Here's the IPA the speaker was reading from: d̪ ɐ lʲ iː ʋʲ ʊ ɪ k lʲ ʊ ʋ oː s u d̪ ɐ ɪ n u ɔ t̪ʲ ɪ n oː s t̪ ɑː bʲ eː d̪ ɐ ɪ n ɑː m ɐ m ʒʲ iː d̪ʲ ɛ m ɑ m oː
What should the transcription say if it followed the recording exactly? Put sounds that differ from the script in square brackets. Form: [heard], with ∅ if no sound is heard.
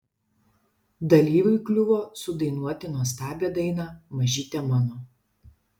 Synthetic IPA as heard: d̪ ɐ lʲ iː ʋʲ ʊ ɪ k lʲ ʊ ʋ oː s [ʊ] d̪ ɐ ɪ n u ɔ t̪ʲ ɪ n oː s t̪ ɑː bʲ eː d̪ ɐ ɪ n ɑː m ɐ [∅] ʒʲ iː [t̪ʲ] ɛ m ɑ [n] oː

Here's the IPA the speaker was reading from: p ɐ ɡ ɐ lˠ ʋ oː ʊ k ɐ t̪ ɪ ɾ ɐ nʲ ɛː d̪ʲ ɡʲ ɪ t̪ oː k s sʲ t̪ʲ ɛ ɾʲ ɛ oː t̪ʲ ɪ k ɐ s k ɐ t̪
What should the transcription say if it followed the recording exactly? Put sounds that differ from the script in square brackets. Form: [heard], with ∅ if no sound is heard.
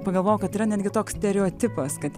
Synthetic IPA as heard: p ɐ ɡ ɐ lˠ ʋ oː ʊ k ɐ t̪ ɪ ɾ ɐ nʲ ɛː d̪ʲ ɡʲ ɪ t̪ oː k s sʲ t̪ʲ ɛ ɾʲ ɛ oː t̪ʲ ɪ [p] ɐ s k ɐ t̪

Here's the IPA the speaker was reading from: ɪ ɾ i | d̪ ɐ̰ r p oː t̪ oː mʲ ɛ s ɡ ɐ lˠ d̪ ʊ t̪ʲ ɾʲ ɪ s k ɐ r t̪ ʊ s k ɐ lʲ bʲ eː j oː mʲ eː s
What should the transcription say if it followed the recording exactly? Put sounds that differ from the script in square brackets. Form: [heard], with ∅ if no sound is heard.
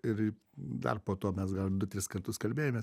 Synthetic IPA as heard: ɪ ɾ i | d̪ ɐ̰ r p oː t̪ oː mʲ ɛ s ɡ ɐ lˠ d̪ ʊ t̪ʲ ɾʲ ɪ s k ɐ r t̪ ʊ s k ɐ lʲ bʲ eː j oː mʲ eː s

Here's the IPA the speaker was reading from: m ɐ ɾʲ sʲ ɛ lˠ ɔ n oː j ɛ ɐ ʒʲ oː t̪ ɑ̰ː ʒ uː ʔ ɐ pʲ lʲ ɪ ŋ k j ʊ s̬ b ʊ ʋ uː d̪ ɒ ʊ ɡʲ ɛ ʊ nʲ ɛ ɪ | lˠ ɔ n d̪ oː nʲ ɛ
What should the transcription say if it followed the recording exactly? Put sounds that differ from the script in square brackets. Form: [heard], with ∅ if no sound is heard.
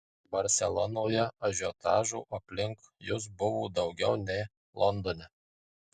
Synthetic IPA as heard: [b] ɐ ɾʲ sʲ ɛ lˠ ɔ n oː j ɛ ɐ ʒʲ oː t̪ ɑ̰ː ʒ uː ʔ ɐ pʲ lʲ ɪ ŋ k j ʊ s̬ b ʊ ʋ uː d̪ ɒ ʊ ɡʲ ɛ ʊ nʲ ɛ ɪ | lˠ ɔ n d̪ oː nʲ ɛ

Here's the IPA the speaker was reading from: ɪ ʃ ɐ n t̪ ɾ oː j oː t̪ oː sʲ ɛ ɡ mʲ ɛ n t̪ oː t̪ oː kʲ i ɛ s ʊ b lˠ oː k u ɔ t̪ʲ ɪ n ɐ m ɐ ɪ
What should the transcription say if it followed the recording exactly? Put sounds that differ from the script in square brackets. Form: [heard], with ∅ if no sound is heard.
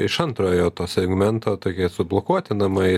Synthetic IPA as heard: ɪ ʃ ɐ n t̪ ɾ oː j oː t̪ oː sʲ ɛ ɡ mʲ ɛ n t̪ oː t̪ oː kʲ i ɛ s ʊ b lˠ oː k u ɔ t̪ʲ ɪ n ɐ m ɐ ɪ

